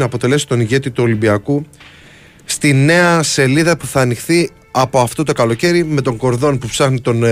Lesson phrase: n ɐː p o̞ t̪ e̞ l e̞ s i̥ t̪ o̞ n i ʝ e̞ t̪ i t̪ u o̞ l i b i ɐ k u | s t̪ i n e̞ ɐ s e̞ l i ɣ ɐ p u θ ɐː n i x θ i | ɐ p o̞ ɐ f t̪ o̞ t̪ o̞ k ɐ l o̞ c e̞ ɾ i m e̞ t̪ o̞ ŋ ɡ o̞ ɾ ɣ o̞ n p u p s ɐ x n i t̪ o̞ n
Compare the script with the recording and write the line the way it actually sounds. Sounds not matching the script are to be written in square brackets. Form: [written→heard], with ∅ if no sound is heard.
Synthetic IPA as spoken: n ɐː p o̞ t̪ e̞ l e̞ s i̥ t̪ o̞ n i ʝ e̞ t̪ i t̪ u o̞ l i b i ɐ k u | s t̪ i n e̞ ɐ s e̞ l i [ɣ→ð] ɐ p u θ ɐː n i x θ i | ɐ p o̞ ɐ f t̪ o̞ t̪ o̞ k ɐ l o̞ c e̞ ɾ i m e̞ t̪ o̞ ŋ ɡ o̞ ɾ [ɣ→ð] o̞ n p u p s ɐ x n i t̪ o̞ n